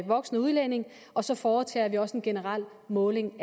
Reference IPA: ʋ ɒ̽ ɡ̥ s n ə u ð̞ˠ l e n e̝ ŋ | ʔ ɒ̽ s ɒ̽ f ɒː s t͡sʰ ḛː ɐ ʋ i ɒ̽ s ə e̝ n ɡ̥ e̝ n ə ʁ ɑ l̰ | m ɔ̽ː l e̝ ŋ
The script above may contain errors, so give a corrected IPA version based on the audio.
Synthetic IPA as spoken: ʋ ɒ̽ ɡ̥ s n ə u ð̞ˠ l e n e̝ ŋ | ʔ ɒ̽ s ɒ̽ f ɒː t͡sʰ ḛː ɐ ʋ i ɒ̽ s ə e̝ n ɡ̥ e̝ n ə ʁ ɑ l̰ | m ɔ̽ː l e̝ ŋ